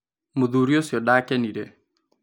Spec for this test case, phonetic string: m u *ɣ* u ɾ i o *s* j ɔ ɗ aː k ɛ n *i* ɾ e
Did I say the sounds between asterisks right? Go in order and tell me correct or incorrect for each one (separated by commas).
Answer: incorrect, correct, correct